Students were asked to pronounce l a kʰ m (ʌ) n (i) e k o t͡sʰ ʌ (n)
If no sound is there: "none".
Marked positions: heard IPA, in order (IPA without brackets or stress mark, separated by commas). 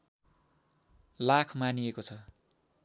a, i, none